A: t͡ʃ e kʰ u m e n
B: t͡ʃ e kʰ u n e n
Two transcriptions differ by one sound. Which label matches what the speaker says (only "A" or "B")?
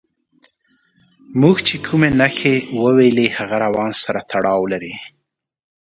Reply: A